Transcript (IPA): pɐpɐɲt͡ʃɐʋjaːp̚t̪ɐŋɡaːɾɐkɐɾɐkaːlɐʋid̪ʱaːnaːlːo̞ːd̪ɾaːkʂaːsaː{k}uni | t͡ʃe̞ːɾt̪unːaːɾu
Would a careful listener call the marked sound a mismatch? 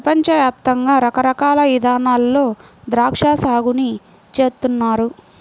yes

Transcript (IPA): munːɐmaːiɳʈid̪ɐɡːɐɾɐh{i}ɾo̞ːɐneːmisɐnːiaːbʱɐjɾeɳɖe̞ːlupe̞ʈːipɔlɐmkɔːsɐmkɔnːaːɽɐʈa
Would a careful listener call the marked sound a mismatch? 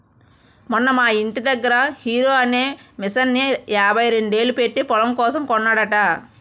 yes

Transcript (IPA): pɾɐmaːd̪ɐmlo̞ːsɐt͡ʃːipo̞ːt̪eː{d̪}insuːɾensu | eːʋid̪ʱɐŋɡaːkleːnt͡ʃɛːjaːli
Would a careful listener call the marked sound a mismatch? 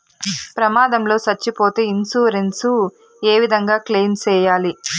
yes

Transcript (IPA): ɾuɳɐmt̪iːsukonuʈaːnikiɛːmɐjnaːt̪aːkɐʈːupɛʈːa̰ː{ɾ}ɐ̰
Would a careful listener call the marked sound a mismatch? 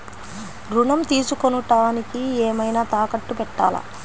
yes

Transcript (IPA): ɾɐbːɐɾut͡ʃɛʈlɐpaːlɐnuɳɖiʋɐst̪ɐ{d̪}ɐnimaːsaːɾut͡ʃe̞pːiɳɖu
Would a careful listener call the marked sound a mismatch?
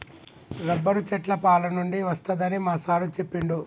no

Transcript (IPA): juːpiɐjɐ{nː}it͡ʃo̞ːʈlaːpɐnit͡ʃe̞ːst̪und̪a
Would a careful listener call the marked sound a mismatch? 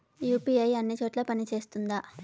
no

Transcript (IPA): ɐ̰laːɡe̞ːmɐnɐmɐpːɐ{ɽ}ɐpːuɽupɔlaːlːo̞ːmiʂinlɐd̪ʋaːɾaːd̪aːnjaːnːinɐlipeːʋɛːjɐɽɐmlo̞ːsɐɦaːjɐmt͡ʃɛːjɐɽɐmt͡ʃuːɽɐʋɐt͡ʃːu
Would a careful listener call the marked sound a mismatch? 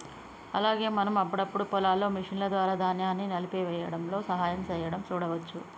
no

